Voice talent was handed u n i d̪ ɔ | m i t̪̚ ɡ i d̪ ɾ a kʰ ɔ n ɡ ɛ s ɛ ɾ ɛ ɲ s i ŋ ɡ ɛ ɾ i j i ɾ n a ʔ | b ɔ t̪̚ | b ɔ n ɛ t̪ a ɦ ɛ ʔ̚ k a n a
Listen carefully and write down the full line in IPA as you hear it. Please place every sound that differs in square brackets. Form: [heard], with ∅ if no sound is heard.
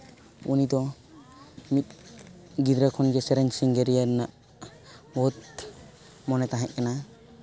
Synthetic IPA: u n i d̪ ɔ | m i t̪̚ ɡ i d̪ ɾ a kʰ ɔ n ɡ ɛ s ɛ ɾ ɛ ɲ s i ŋ ɡ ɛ ɾ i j [a] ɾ n a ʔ | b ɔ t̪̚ | [m] ɔ n ɛ t̪ a ɦ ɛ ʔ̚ k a n a